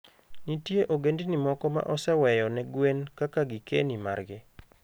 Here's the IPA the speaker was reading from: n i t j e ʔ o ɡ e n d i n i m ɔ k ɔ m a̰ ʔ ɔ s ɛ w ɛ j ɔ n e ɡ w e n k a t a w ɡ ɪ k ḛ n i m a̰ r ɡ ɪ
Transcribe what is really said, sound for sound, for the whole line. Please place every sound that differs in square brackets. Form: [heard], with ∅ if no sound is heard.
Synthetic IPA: n i t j e ʔ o ɡ e n d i n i m ɔ k ɔ m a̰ ʔ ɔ s ɛ w ɛ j ɔ n [ɛ] ɡ w e n k a [k] a [∅] ɡ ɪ k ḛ n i m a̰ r ɡ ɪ